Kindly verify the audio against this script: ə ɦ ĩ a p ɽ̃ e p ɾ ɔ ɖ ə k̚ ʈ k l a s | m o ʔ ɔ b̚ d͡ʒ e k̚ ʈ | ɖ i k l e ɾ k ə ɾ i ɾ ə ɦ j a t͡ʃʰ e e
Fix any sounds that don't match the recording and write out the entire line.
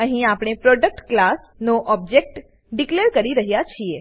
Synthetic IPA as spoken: ə ɦ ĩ a p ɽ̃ e p ɾ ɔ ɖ ə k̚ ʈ k l a s | n o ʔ ɔ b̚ d͡ʒ e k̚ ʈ | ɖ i k l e ɾ k ə ɾ i ɾ ə ɦ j a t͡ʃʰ i e